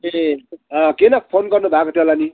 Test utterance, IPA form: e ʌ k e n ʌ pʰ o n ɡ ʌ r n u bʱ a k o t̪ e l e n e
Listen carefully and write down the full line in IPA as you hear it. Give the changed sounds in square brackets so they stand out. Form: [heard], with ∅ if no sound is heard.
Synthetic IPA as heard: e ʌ k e n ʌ pʰ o n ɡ ʌ r n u bʱ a k o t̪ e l [a] n [i]